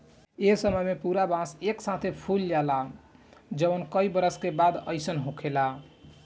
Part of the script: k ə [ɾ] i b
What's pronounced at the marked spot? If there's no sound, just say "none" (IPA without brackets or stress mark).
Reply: none